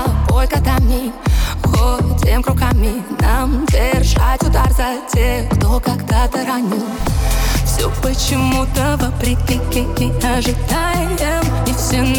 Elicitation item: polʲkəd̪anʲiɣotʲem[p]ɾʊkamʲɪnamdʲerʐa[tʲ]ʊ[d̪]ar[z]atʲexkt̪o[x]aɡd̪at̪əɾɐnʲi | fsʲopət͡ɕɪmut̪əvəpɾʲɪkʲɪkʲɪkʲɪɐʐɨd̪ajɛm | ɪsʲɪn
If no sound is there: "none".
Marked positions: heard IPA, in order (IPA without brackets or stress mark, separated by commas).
k, tʲ, d̪, z, k